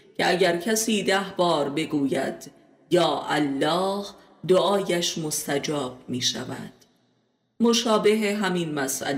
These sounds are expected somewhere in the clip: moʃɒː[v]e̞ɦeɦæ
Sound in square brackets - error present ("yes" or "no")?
yes